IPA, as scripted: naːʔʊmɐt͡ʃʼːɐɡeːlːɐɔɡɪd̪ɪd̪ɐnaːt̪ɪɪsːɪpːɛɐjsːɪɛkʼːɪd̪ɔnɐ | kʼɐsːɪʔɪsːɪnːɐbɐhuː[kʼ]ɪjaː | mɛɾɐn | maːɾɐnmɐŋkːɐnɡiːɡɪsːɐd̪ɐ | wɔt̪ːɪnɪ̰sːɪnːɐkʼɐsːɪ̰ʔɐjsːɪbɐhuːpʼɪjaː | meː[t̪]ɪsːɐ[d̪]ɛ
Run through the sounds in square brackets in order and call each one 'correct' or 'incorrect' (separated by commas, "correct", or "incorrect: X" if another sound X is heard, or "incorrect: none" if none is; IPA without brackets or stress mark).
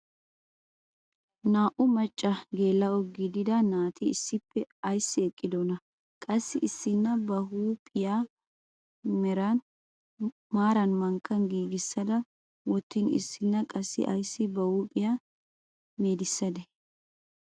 incorrect: pʼ, incorrect: d̪, correct